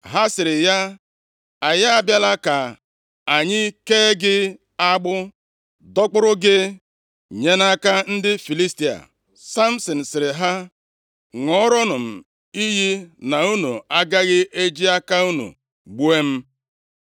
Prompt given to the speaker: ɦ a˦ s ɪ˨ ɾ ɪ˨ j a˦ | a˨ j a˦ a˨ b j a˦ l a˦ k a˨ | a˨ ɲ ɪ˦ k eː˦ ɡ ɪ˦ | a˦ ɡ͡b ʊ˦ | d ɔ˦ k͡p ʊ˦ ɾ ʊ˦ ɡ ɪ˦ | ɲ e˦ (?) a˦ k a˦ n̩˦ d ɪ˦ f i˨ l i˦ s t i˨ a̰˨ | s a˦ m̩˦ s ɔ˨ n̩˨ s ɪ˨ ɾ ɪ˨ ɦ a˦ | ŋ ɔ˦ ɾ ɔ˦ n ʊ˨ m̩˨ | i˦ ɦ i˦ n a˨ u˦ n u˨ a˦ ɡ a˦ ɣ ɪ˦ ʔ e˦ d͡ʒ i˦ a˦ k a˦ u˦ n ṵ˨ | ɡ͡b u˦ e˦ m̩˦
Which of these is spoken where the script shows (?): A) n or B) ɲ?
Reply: A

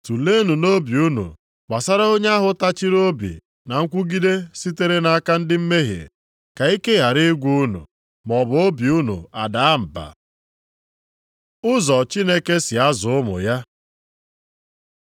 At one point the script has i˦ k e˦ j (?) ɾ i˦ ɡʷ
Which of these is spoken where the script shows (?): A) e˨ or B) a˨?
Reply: B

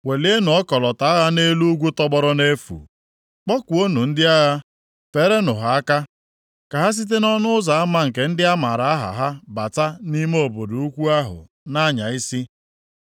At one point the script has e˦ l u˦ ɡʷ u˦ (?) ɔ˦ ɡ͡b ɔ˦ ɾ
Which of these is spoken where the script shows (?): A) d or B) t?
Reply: B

